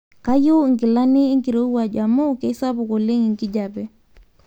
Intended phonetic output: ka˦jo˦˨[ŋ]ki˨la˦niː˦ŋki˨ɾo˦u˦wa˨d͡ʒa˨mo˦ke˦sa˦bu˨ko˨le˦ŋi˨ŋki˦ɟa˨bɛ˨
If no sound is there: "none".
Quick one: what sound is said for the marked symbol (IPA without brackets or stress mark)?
ŋ